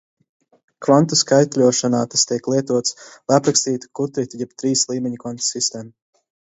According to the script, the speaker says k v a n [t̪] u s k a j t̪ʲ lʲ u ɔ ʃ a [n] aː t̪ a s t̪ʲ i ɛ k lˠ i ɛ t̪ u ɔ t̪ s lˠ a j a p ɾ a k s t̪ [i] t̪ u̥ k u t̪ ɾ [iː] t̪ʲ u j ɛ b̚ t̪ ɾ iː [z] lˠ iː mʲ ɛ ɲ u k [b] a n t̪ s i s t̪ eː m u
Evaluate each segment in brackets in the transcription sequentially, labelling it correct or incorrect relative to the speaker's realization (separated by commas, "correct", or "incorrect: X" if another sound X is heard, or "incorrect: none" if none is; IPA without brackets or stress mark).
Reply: correct, correct, incorrect: iː, incorrect: i, incorrect: s, incorrect: v